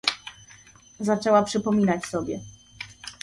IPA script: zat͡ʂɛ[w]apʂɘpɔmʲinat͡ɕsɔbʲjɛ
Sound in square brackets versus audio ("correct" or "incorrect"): correct